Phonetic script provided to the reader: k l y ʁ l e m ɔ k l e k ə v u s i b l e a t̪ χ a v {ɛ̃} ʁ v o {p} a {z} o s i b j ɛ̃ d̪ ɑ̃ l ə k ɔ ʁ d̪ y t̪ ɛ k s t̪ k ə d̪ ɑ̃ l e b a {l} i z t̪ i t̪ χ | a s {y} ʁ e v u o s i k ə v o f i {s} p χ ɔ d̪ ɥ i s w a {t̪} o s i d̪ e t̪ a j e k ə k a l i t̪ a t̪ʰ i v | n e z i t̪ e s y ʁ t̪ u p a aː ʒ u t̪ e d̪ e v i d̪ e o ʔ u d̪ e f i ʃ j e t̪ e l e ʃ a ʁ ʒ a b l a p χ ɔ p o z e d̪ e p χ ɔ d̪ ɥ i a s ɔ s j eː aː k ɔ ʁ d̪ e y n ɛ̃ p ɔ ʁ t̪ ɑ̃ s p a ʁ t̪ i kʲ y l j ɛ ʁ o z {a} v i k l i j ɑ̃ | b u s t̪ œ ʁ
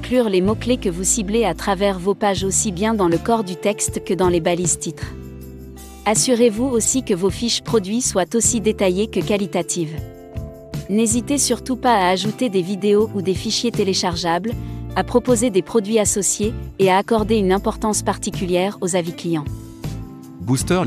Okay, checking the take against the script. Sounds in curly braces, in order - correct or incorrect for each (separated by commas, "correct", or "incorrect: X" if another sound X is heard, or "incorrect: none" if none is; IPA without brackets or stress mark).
incorrect: ɛ, correct, incorrect: ʒ, correct, correct, incorrect: ʃ, correct, correct